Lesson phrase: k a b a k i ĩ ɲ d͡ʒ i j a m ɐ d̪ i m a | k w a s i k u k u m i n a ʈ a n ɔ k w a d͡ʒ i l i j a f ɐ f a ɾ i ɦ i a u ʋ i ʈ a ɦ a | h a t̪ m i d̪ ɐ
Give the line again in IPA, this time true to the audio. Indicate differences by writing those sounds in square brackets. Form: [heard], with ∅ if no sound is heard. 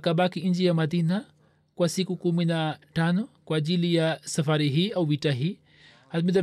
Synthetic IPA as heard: k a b a k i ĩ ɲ d͡ʒ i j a m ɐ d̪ i [n] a | k w a s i k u k u m i n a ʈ a n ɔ k w a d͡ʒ i l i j a [s] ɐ f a ɾ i ɦ i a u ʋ i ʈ a ɦ [i] | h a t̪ m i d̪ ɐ